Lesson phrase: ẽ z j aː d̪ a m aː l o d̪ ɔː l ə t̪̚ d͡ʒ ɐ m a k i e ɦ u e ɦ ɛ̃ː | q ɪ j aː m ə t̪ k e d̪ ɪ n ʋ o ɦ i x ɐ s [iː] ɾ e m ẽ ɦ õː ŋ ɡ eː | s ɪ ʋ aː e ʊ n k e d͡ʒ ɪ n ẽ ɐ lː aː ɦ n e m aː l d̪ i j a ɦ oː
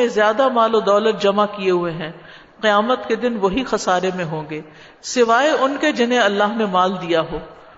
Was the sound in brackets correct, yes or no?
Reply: no